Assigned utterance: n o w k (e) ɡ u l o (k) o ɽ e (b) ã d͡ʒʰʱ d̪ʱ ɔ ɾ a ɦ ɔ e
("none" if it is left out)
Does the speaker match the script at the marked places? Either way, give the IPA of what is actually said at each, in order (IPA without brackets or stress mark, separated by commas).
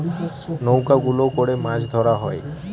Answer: a, k, m